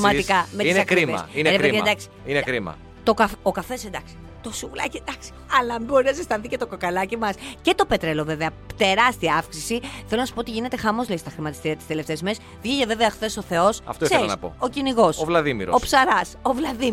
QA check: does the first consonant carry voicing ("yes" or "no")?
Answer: yes